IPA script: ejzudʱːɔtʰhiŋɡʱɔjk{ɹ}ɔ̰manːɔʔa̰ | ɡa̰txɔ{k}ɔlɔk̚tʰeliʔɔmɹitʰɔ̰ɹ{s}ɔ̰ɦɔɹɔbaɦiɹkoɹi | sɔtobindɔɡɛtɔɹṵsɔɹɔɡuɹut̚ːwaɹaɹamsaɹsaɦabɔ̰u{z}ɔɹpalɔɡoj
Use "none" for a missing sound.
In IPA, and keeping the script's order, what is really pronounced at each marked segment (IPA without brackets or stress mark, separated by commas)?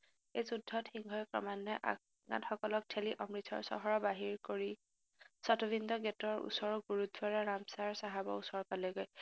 ɹ, k, s, s